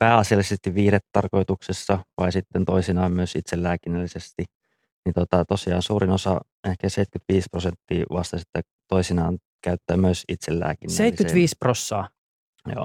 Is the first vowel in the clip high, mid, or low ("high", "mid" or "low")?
low